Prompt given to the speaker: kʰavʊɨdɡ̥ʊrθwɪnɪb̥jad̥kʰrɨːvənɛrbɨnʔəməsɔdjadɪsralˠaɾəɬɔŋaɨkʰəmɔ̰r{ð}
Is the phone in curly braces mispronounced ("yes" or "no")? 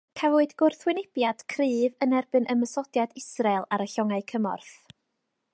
yes